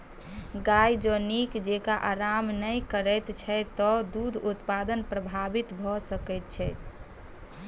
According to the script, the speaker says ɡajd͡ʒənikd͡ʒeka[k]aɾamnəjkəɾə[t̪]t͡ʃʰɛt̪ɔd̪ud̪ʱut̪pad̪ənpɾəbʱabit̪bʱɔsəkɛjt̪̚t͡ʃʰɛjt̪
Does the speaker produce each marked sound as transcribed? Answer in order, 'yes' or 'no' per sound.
no, yes

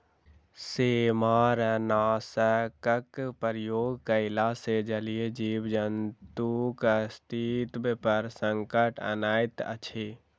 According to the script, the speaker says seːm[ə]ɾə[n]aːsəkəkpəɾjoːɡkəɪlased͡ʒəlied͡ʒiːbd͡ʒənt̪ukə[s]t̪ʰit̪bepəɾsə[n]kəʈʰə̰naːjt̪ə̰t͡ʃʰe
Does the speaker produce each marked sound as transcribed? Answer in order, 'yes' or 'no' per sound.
no, yes, yes, no

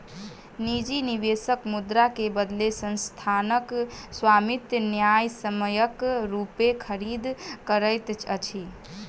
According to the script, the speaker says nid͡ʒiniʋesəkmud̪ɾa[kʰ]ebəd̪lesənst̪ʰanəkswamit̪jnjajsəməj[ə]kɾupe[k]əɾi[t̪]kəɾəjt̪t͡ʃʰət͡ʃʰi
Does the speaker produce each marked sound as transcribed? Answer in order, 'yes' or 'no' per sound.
no, yes, no, no

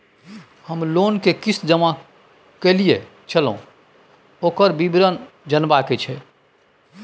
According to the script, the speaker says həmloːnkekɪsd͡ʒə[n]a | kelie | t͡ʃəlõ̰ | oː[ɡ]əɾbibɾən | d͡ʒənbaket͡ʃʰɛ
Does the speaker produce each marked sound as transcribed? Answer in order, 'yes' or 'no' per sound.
no, no

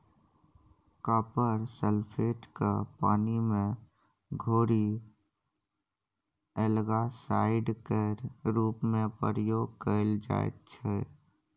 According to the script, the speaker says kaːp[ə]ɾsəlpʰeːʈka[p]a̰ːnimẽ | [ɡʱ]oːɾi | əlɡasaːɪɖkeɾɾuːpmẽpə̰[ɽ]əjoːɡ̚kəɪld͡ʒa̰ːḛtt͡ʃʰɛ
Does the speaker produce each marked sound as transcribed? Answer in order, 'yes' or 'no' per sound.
yes, yes, yes, no

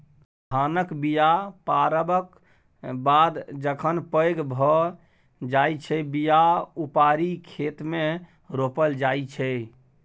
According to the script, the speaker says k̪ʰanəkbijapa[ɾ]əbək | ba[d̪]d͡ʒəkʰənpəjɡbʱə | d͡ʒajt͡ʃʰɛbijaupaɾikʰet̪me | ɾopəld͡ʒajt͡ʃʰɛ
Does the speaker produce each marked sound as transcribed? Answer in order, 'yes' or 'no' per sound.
yes, yes

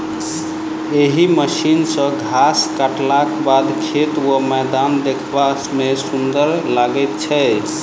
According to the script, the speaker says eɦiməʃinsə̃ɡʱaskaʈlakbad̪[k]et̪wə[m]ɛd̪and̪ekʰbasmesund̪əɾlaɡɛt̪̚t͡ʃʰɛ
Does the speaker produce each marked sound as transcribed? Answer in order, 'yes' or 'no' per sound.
no, yes

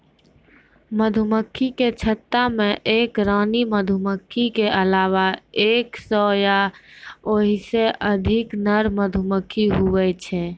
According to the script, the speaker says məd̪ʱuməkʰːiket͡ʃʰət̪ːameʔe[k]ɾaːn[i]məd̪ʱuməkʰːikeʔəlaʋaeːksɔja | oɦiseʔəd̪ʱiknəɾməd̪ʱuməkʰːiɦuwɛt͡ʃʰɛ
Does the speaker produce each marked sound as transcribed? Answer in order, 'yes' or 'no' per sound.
yes, yes

